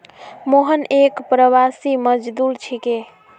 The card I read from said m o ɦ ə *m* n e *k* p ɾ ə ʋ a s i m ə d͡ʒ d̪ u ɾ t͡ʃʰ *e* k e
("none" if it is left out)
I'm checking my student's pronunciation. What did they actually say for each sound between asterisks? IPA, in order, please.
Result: none, k, i

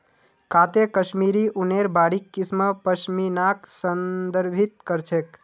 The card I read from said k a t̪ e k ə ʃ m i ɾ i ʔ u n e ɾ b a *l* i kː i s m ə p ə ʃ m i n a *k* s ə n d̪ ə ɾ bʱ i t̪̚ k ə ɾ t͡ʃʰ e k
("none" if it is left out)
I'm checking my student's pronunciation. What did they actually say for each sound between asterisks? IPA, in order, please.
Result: ɽ, k

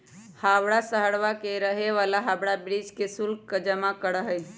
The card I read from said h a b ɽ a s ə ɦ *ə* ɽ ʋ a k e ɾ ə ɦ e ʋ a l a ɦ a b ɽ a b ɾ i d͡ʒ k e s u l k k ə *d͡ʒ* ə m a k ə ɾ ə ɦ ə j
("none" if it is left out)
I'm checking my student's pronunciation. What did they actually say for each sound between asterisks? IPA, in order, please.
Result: ə, d͡ʒ

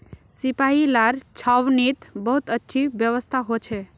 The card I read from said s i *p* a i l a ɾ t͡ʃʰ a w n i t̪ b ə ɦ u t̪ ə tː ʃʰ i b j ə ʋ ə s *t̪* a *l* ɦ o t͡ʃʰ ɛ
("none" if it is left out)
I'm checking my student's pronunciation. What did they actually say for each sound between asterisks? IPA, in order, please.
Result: p, t̪ʰ, none

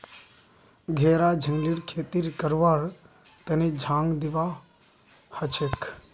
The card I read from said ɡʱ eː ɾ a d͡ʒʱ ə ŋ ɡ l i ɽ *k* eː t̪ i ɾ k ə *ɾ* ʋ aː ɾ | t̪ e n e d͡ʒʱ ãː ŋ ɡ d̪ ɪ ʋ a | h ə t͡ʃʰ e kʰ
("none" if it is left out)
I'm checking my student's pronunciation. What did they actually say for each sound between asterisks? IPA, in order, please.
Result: kʰ, ɾ

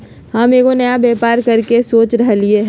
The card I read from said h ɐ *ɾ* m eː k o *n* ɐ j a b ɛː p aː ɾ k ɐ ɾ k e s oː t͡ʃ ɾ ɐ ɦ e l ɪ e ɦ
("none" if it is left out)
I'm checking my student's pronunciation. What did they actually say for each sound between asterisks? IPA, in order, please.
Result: none, n

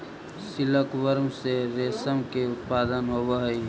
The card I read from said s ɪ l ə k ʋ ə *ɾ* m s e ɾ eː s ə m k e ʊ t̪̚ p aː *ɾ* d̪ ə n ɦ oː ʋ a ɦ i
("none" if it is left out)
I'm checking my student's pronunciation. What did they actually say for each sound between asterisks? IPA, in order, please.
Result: ɾ, none

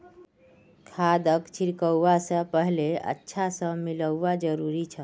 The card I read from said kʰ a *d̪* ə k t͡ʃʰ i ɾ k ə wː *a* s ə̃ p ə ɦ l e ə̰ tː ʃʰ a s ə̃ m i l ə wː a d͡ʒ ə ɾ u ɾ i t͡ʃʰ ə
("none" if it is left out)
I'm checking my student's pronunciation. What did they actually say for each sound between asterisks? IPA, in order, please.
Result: d̪, a

